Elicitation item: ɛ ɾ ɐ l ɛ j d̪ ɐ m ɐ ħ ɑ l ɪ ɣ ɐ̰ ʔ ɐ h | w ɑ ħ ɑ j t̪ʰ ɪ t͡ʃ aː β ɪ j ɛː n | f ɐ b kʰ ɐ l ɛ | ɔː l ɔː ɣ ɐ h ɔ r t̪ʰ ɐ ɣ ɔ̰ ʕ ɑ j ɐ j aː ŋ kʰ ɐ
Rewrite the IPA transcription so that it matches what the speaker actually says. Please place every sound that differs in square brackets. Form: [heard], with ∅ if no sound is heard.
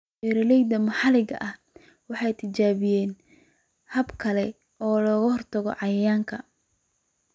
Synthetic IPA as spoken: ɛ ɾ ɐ l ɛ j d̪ ɐ m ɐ ħ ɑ l ɪ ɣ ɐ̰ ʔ ɐ h | w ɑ ħ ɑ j t̪ʰ ɪ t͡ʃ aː β ɪ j ɛː n | [h] ɐ b kʰ ɐ l ɛ | ɔː l ɔː ɣ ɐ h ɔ r t̪ʰ ɐ ɣ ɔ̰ ʕ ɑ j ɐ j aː ŋ kʰ ɐ